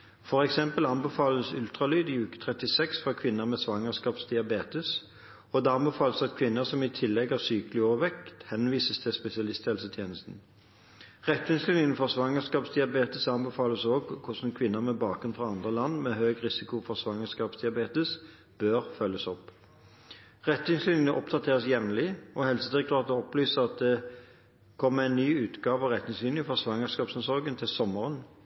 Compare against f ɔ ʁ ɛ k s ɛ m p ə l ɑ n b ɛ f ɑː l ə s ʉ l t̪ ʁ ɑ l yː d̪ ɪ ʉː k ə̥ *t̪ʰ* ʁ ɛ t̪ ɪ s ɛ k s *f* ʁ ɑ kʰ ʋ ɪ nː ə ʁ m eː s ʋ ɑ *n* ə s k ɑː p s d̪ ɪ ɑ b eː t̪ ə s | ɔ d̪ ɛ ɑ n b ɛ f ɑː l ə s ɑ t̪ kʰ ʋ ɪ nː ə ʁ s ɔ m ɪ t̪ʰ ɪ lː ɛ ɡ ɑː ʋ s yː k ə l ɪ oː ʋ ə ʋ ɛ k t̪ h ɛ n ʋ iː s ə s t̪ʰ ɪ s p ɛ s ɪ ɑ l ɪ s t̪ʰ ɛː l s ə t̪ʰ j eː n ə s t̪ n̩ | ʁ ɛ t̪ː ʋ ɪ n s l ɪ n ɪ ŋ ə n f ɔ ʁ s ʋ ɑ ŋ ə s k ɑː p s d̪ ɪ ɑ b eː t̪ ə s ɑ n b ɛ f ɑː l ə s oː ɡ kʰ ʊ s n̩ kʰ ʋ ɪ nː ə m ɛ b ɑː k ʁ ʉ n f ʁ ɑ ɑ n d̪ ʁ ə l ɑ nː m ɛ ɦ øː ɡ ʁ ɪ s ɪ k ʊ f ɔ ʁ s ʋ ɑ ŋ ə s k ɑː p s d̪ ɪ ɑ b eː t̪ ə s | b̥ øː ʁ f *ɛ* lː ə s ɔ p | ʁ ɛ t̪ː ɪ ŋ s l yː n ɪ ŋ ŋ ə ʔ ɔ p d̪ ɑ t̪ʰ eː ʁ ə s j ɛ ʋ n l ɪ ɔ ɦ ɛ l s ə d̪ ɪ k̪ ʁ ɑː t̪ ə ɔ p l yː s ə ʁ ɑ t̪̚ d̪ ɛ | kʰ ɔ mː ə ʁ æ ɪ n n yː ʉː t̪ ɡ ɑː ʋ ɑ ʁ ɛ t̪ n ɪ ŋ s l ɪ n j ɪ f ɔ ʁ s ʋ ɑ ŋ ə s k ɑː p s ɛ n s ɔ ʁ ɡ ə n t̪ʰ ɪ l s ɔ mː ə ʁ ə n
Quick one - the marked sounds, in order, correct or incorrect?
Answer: correct, correct, incorrect, incorrect

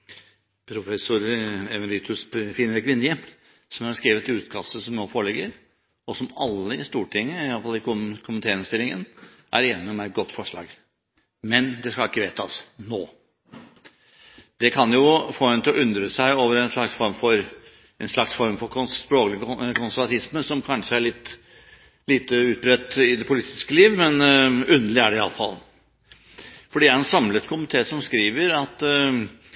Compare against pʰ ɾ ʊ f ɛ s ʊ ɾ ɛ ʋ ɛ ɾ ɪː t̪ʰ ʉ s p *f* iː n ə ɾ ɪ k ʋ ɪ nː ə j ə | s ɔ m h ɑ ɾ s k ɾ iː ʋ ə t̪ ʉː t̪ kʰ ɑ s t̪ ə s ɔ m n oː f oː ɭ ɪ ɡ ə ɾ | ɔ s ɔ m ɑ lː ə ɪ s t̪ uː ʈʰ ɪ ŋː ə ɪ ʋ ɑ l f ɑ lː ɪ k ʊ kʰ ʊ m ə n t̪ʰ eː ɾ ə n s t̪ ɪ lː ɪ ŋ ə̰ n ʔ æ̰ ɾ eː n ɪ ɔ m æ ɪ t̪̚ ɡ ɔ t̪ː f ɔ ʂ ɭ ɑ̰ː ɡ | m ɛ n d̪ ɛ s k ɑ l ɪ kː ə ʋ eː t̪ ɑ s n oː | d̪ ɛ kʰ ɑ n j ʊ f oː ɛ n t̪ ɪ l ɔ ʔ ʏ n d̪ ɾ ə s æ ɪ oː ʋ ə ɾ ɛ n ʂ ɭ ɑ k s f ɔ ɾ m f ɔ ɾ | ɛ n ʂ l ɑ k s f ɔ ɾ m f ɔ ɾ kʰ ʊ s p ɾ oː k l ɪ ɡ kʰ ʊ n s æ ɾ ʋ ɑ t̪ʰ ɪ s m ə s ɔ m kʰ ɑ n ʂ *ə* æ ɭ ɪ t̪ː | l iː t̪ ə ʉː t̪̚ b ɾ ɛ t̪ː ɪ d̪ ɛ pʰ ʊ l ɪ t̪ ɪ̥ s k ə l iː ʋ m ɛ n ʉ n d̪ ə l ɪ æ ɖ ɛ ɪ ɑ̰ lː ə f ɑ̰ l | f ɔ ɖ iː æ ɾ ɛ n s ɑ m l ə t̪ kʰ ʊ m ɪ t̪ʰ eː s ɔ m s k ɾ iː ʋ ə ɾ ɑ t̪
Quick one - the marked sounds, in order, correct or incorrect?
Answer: correct, correct

